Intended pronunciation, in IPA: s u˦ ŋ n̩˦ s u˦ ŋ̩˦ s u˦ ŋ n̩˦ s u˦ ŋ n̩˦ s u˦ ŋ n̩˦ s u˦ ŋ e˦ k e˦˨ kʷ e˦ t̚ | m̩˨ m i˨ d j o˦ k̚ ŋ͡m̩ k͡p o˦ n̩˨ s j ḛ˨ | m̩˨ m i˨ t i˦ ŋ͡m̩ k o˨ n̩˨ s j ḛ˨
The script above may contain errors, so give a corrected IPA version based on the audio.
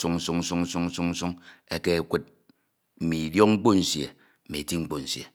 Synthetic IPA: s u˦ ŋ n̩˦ s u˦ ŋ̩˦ s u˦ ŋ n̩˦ s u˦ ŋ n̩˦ s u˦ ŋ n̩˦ s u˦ ŋ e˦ k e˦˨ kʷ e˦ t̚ | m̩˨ m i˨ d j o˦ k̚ ŋ͡m̩ k͡p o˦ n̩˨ s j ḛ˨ | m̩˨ m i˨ t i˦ ŋ͡m̩ k͡p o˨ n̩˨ s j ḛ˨

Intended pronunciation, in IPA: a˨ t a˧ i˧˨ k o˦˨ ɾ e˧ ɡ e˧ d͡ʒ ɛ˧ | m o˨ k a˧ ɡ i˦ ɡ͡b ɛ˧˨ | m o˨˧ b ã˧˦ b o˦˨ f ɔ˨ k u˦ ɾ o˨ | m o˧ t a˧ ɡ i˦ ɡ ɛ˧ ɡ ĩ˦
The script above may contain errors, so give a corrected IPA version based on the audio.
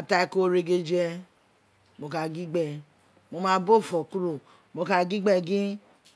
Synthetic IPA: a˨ t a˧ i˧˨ k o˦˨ ɾ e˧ ɡ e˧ d͡ʒ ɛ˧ | m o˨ k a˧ ɡ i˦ ɡ͡b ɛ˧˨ | m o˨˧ m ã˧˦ b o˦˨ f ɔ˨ k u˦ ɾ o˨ | m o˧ k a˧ ɡ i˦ ɡ͡b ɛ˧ ɡ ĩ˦

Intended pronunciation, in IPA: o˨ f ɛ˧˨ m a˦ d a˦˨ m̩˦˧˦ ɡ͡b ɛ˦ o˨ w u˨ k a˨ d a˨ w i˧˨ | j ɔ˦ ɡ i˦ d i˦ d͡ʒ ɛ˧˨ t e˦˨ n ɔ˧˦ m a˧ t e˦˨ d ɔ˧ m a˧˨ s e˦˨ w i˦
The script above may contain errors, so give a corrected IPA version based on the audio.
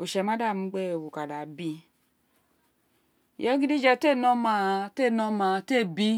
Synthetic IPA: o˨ ʃ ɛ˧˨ m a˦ d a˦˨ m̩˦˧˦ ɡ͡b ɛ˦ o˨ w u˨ k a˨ d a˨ b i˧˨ | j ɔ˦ ɡ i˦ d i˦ d͡ʒ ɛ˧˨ t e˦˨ n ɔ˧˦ m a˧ t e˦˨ n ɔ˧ m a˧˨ t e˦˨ b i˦

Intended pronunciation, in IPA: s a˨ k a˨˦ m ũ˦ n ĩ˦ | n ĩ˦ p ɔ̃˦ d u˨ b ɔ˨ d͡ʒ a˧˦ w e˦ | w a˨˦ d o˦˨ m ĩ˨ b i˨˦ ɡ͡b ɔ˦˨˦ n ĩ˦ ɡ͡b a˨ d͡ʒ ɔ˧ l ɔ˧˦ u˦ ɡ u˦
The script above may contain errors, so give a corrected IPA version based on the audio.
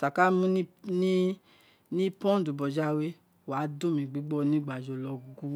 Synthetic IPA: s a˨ k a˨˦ m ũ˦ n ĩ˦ | n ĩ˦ p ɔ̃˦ d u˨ b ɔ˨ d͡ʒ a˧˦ w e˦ | w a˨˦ d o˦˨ m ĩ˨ ɡ͡b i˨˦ ɡ͡b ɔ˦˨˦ n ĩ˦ ɡ͡b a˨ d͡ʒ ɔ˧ l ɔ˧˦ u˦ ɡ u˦

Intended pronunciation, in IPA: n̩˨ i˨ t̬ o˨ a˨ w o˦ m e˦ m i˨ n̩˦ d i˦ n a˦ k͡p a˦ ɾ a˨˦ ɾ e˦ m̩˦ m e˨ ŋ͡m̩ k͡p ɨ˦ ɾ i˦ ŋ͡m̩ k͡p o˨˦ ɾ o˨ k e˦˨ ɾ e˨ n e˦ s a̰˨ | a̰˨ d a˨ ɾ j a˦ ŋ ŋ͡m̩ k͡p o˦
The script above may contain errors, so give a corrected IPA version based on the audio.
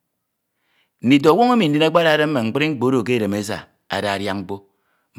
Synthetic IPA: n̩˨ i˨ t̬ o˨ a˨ w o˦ ŋ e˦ m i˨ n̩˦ d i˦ n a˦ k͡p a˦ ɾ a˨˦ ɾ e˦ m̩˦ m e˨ ŋ͡m̩ k͡p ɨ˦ ɾ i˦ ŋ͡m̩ k͡p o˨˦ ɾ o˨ k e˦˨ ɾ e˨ m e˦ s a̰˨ | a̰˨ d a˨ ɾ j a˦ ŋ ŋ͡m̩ k͡p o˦

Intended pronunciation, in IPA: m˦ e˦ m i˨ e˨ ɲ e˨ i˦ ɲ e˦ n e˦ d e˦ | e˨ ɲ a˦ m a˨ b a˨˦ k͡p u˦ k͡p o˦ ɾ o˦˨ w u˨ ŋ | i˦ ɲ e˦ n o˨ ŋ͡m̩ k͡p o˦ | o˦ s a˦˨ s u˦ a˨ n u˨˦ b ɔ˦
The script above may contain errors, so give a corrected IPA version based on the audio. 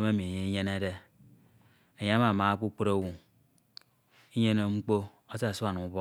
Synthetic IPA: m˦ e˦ m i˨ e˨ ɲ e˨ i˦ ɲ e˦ n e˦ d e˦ | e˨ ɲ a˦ m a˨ m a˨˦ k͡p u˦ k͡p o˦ ɾ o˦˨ w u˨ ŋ | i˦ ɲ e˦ n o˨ ŋ͡m̩ k͡p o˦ | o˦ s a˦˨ s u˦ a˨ n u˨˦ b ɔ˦

